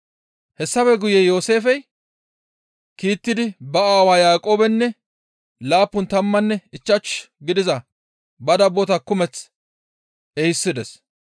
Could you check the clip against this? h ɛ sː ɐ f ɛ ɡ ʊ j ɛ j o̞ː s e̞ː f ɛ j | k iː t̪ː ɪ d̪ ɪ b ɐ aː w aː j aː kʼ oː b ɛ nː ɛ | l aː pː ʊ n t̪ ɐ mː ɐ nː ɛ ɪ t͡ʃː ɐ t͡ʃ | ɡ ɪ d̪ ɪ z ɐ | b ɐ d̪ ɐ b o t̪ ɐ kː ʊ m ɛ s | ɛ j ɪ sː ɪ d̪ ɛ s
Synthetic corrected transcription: h ɛ sː ɐ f ɛ ɡ ʊ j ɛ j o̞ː s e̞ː f ɛ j | k iː t̪ː ɪ d̪ ɪ b ɐ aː w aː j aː kʼ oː b ɛ nː ɛ | l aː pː ʊ n t̪ ɐ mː ɐ nː ɛ ɪ t͡ʃː ɐ t͡ʃ | ɡ ɪ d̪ ɪ z ɐ | b ɐ d̪ ɐ b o t̪ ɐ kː ʊ m ɛ t͡s | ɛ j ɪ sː ɪ d̪ ɛ s